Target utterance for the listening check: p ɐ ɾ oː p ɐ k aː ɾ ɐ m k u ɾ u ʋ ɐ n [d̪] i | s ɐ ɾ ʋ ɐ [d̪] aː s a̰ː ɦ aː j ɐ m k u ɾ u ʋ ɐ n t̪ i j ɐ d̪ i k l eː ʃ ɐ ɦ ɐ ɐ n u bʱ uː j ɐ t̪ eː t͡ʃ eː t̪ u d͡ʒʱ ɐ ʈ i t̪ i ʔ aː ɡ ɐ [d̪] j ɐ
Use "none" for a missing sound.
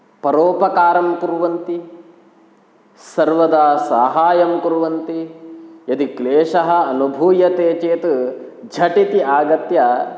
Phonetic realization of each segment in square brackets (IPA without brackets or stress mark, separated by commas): t̪, d̪, t̪